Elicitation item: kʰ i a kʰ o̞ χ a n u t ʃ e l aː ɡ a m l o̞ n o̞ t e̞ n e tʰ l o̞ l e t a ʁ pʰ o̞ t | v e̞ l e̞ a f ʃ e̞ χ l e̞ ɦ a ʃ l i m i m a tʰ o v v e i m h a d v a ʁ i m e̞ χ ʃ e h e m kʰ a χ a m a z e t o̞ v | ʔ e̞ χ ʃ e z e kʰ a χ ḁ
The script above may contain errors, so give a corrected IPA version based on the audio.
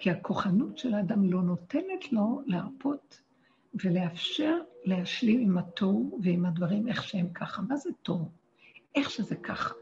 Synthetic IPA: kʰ i a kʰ o̞ χ a n u t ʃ e l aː d a m l o̞ n o̞ t e̞ n e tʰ l o̞ l e a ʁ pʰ o̞ t | v e̞ l e̞ a f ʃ e̞ ʁ l e̞ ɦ a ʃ l i m i m a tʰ o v v e i m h a d v a ʁ i m e̞ χ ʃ e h e m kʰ a χ a m a z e t o̞ v | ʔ e̞ χ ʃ e z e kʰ a χ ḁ